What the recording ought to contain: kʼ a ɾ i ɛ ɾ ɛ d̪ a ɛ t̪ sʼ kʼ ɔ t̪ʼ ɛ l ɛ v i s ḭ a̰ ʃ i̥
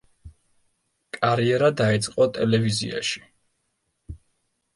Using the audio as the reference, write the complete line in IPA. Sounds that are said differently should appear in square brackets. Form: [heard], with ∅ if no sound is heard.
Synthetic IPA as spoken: kʼ a ɾ i ɛ ɾ [a] d̪ a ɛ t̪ sʼ [qʼ] ɔ t̪ʼ ɛ l ɛ v i [z] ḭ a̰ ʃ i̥